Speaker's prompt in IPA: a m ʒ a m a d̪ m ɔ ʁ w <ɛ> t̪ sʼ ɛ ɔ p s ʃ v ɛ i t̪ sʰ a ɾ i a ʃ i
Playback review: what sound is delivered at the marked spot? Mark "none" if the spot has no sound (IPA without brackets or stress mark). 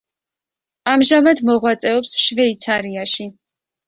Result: a